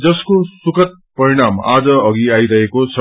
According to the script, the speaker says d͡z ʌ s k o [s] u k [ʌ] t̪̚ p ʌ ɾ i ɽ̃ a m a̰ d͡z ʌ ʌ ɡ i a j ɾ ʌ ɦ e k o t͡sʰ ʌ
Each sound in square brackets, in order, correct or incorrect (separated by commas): correct, correct